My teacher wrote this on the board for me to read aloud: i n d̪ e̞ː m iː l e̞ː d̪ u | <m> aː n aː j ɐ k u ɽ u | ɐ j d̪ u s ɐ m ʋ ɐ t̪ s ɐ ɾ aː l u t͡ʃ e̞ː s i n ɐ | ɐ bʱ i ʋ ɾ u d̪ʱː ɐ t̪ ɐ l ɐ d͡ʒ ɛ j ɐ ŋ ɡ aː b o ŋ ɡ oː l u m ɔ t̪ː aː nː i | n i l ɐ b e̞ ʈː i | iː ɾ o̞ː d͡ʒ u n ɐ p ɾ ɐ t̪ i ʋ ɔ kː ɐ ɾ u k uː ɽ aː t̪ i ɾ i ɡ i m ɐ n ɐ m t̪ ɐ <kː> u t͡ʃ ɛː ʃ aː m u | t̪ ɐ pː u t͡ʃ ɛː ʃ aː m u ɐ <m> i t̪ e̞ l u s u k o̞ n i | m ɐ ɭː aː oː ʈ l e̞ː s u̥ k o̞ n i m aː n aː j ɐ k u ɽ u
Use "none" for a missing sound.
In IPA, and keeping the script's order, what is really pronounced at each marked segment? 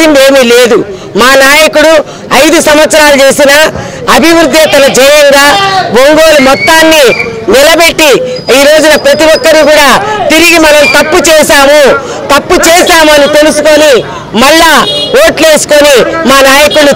m, pː, n

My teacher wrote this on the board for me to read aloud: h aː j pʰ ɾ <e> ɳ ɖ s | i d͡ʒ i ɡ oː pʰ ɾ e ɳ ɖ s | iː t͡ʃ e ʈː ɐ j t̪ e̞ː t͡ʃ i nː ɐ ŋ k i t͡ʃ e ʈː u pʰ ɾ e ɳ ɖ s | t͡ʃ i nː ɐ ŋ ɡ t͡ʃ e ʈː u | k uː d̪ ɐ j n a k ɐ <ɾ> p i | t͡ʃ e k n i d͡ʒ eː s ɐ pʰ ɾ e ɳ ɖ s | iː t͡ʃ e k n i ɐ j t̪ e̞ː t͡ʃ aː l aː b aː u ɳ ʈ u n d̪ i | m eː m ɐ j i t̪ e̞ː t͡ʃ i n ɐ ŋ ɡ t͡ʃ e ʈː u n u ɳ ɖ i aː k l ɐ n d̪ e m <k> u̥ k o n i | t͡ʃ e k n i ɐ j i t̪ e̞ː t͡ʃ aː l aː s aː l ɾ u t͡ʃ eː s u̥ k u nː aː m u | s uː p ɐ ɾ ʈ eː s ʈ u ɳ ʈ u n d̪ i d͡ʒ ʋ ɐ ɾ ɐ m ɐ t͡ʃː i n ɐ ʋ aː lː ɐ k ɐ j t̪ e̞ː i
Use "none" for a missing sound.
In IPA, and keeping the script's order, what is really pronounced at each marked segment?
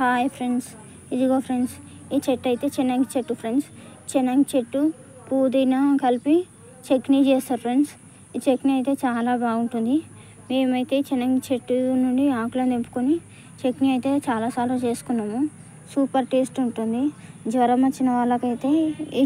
e, l, p

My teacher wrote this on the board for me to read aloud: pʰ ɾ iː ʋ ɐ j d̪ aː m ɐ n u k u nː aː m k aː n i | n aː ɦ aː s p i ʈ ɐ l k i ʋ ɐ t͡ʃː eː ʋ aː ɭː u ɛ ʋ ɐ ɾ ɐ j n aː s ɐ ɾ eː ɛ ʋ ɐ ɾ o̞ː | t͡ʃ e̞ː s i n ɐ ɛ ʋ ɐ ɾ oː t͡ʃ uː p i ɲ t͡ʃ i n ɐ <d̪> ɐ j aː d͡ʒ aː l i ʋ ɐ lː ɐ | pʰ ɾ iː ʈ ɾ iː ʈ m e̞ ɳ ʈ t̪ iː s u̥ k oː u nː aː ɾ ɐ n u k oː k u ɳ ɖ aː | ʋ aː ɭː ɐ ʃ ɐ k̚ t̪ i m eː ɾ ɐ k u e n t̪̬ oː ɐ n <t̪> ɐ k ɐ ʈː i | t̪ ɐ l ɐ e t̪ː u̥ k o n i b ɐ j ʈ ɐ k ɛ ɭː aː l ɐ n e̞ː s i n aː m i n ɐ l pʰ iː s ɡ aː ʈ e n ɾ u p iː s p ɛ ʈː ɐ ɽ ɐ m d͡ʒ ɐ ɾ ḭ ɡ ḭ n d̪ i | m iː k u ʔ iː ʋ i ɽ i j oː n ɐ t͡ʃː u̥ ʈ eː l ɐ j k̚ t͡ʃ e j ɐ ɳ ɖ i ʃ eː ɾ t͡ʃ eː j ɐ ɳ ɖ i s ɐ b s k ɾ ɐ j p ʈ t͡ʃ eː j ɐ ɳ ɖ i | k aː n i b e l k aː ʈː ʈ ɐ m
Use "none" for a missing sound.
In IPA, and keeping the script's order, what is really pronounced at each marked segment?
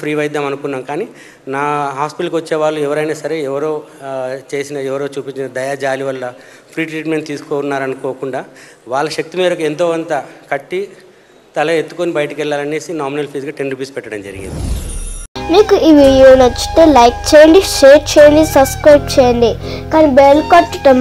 d̪, t̪

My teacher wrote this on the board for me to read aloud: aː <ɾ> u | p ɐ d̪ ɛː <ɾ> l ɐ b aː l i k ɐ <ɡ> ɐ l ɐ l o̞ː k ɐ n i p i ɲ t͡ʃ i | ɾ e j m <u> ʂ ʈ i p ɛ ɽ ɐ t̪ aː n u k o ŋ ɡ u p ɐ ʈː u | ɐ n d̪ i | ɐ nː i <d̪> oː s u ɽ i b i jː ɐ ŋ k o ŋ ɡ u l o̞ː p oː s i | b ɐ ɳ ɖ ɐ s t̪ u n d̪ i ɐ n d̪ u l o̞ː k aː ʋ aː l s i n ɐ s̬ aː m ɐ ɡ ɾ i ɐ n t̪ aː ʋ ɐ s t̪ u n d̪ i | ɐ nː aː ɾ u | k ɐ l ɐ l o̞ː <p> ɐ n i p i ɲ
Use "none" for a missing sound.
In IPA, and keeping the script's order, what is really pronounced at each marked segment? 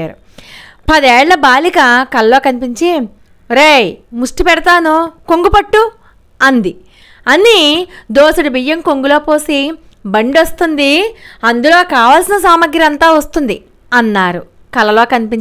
ɾ, ɭ, k, u, d̪, k

